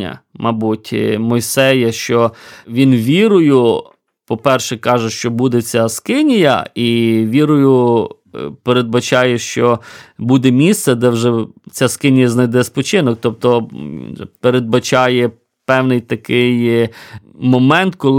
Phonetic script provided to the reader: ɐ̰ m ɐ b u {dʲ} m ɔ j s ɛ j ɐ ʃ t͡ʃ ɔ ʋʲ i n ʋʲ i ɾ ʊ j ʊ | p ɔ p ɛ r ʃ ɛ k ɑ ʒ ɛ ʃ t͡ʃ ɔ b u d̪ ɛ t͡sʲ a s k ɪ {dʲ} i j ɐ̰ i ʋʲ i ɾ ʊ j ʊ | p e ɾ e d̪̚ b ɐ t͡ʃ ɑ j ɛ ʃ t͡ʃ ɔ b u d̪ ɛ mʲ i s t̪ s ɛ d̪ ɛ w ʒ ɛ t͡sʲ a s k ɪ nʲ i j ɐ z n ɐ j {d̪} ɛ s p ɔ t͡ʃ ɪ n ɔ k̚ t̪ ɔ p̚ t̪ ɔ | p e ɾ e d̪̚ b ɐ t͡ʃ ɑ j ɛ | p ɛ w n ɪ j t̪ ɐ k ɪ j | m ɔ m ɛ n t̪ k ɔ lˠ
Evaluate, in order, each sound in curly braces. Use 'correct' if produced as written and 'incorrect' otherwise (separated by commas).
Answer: incorrect, incorrect, correct